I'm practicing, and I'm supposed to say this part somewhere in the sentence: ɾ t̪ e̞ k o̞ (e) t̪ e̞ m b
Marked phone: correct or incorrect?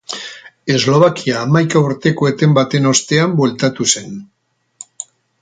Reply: correct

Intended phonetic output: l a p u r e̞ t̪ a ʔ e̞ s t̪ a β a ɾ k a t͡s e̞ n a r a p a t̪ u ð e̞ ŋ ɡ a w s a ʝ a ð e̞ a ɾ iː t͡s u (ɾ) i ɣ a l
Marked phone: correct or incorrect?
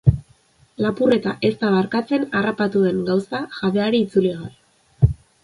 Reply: incorrect: l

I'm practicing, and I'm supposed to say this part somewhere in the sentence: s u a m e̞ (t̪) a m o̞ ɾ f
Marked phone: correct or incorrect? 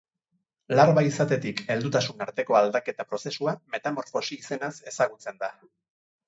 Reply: correct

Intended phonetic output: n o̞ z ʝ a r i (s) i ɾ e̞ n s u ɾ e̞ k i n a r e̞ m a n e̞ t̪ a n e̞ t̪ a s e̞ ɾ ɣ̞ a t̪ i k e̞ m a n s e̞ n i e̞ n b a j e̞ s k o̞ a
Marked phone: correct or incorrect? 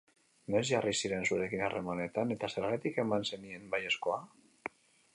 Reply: correct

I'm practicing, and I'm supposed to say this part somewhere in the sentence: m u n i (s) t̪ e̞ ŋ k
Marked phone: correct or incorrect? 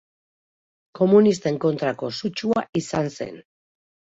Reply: correct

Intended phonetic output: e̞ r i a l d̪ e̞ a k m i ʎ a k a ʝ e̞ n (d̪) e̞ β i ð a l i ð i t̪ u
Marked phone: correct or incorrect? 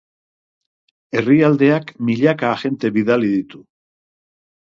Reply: incorrect: t̪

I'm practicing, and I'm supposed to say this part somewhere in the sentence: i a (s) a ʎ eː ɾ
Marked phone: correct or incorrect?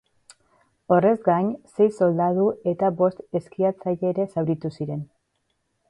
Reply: incorrect: t͡s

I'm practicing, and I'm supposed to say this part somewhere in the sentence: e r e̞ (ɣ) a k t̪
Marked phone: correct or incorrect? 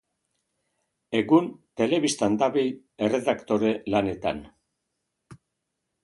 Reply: incorrect: ð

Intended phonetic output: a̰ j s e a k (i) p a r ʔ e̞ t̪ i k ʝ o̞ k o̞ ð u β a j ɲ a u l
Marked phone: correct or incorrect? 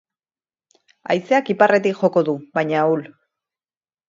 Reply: correct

